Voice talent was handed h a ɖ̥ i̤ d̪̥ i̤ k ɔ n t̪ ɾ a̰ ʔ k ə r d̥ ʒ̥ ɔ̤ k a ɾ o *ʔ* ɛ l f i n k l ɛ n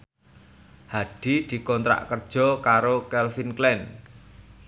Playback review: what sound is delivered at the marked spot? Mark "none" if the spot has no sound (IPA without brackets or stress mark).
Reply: k